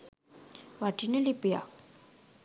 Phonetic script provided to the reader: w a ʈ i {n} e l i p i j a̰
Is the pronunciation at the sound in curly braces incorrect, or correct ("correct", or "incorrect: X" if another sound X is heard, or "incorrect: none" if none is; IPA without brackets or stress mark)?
correct